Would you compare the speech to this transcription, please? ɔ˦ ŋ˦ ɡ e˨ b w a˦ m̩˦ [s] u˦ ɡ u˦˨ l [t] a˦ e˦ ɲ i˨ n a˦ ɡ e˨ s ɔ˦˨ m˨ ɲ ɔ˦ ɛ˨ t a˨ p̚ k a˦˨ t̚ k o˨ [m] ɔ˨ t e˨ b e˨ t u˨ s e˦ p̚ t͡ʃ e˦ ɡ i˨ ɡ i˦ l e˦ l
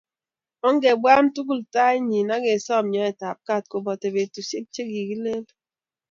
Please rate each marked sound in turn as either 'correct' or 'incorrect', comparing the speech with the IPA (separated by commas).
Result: incorrect, correct, incorrect